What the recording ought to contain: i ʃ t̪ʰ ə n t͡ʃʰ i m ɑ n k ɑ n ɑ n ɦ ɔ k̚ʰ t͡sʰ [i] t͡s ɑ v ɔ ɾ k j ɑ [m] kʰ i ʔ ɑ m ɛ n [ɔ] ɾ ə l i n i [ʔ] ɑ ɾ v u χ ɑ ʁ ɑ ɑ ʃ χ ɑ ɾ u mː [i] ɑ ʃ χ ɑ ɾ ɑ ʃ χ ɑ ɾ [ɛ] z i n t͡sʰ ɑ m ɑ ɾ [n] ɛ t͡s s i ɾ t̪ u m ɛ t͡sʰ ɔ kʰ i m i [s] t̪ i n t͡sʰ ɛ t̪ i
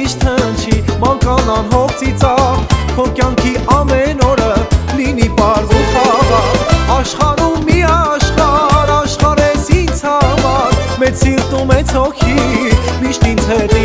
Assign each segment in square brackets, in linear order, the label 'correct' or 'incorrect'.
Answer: correct, incorrect, correct, incorrect, correct, correct, incorrect, incorrect

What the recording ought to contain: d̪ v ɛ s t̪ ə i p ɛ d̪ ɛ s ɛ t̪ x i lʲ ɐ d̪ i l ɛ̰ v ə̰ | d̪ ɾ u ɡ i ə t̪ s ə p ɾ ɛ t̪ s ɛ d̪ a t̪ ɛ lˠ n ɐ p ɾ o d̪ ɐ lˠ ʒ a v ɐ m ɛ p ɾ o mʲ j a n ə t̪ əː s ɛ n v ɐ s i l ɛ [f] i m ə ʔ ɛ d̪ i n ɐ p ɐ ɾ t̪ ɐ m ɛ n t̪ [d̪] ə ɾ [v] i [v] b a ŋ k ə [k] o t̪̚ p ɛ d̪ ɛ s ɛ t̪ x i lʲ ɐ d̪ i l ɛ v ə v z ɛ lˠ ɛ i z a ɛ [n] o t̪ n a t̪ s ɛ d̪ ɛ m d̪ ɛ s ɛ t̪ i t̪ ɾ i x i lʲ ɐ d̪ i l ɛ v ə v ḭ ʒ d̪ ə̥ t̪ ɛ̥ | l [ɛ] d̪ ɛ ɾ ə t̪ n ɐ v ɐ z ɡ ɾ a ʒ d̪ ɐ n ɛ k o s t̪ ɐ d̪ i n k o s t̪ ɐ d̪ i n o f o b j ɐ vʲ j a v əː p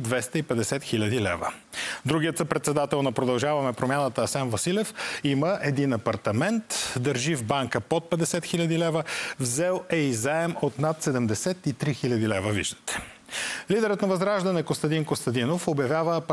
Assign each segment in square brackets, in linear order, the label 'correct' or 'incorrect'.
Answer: correct, correct, incorrect, correct, incorrect, incorrect, incorrect

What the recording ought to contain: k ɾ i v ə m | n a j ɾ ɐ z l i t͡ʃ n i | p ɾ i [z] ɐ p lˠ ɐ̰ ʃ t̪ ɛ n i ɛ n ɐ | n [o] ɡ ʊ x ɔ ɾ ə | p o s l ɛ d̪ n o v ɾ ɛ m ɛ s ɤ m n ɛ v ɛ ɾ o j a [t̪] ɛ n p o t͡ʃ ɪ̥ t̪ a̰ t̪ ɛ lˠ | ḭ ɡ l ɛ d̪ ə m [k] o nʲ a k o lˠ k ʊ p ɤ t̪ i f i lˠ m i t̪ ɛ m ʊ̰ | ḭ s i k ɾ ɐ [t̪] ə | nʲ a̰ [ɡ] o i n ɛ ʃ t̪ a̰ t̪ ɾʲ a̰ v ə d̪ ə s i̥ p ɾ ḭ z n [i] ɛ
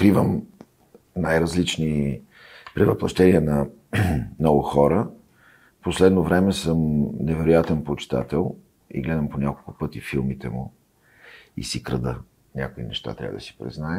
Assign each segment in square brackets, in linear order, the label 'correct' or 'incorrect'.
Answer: incorrect, incorrect, correct, incorrect, incorrect, incorrect, incorrect

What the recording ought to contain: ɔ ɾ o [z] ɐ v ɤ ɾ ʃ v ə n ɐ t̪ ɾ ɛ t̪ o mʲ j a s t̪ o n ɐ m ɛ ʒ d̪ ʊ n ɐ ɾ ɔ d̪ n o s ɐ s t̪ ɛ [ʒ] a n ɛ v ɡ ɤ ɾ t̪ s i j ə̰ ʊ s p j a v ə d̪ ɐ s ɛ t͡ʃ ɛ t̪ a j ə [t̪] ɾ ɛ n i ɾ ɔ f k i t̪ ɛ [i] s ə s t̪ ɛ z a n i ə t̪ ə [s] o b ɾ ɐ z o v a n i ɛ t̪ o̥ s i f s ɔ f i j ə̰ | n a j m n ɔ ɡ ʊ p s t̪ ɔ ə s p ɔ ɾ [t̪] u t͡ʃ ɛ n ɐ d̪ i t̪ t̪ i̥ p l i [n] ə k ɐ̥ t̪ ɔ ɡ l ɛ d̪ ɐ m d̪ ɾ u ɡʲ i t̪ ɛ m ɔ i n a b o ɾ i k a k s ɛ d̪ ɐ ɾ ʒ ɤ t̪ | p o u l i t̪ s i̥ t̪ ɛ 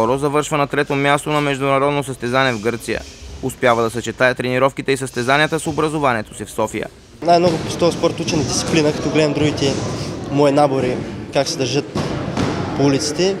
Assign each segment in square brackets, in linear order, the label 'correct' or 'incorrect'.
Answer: correct, incorrect, correct, correct, correct, correct, correct

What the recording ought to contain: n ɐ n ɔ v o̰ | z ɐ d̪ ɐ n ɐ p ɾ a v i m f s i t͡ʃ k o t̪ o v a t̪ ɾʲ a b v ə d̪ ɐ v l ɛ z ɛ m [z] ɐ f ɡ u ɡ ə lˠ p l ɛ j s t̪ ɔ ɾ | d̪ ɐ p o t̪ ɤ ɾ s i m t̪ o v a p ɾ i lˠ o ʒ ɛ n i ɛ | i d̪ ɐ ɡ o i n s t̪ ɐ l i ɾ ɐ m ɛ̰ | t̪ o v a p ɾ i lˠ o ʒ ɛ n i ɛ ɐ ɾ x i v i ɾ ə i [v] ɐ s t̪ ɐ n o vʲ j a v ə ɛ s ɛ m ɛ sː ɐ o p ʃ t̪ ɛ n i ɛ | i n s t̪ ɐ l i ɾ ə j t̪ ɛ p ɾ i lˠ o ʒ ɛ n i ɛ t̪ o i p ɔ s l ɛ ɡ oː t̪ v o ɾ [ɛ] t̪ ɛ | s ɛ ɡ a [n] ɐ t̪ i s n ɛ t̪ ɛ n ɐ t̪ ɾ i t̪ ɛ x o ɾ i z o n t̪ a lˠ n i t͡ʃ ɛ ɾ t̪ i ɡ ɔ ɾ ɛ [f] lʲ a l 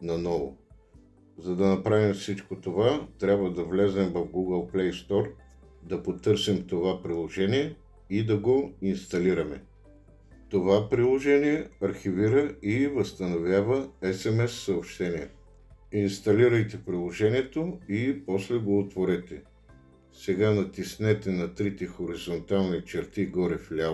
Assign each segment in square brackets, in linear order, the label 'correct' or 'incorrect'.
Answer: incorrect, correct, correct, correct, correct

